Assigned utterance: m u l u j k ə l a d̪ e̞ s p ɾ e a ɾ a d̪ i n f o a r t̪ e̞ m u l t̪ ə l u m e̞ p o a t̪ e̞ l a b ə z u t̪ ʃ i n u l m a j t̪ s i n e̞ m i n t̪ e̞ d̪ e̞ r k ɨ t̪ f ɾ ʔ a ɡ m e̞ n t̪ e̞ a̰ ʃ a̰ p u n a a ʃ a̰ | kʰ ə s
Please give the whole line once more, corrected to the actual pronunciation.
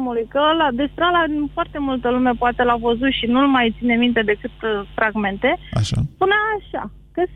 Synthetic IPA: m u l u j k ə l a d̪ e̞ s p ɾ e a l a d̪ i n f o a r t̪ e̞ m u l t̪ ə l u m e̞ p o a t̪ e̞ l a v ə z u t̪ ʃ i n u l m a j t̪ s i n e̞ m i n t̪ e̞ d̪ e̞ k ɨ t̪ f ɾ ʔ a ɡ m e̞ n t̪ e̞ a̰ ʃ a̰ p u n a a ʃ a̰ | k ə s